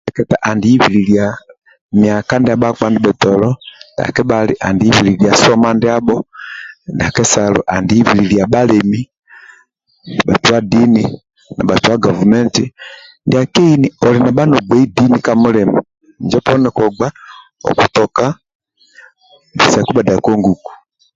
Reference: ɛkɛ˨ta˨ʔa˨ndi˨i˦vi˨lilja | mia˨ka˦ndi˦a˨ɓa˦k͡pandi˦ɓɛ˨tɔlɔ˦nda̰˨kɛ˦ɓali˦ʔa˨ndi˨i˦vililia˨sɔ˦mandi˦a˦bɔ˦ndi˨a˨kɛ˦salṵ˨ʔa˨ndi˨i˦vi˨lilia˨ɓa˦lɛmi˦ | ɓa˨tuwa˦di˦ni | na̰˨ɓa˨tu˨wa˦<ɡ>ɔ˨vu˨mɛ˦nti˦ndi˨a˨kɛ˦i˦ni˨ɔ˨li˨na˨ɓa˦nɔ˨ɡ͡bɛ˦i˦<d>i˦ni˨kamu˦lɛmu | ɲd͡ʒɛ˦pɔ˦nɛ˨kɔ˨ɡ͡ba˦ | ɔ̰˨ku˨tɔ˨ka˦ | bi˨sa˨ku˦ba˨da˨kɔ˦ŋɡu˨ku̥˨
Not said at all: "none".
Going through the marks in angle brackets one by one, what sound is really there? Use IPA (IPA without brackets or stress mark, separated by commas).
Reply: ɡ, d